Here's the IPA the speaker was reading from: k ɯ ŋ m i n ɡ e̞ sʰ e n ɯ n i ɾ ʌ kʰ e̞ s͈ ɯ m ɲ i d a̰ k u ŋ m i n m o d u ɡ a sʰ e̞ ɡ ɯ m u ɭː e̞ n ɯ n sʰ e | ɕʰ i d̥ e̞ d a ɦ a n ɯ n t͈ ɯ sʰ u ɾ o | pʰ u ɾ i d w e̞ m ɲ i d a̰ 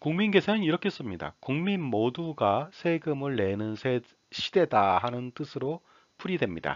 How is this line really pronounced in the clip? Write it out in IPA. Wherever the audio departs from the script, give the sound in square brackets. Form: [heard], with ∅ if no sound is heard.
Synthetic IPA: k [u] ŋ m i n ɡ e̞ sʰ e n ɯ n i ɾ ʌ kʰ e̞ s͈ ɯ m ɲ i d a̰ k u ŋ m i n m o d u ɡ a sʰ e̞ ɡ ɯ m [ɯ] ɭː e̞ n ɯ n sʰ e | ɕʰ i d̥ e̞ d a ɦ a n ɯ n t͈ ɯ sʰ [ɯ] ɾ o | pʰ u ɾ i d w e̞ m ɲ i d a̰